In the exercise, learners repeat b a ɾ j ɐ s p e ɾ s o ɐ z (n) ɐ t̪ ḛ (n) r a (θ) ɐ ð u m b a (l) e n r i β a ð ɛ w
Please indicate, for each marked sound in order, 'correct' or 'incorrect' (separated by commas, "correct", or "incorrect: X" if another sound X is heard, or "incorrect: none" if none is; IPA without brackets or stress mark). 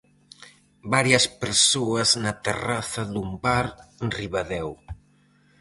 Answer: correct, incorrect: none, correct, incorrect: ɾ